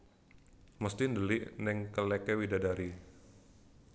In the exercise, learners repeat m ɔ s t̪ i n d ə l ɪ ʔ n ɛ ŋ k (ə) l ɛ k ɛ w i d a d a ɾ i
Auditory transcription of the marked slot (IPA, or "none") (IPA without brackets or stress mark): ə